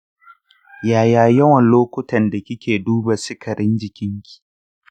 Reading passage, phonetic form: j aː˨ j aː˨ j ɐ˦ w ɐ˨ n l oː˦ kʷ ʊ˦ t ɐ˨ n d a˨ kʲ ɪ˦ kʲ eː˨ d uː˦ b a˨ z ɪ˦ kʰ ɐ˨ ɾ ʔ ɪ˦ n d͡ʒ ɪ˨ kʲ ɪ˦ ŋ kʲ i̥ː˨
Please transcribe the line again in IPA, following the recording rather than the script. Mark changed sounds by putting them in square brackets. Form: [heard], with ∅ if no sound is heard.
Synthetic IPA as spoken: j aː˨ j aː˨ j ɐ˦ w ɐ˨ n l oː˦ kʷ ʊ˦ t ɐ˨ n d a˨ kʲ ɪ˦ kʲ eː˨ d uː˦ b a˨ [s] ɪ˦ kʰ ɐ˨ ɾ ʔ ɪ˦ n d͡ʒ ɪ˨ kʲ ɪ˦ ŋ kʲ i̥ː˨